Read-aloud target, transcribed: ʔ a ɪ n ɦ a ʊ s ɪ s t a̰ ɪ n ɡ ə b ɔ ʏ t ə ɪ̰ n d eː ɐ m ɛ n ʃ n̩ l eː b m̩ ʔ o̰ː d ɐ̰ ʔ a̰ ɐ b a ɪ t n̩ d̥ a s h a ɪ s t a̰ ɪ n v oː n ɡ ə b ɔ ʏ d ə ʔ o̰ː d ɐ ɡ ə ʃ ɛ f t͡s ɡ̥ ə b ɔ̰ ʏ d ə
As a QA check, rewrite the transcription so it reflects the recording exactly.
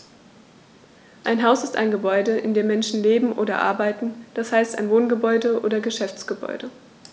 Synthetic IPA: ʔ a ɪ n ɦ a ʊ s ɪ s t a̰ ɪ n ɡ ə b ɔ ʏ d ə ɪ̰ n d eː ɐ m ɛ n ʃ n̩ l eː b m̩ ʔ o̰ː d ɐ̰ ʔ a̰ ɐ b a ɪ t n̩ d̥ a s h a ɪ s t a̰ ɪ n v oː n ɡ ə b ɔ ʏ d ə ʔ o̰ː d ɐ ɡ ə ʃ ɛ f t͡s ɡ̥ ə b ɔ̰ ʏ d ə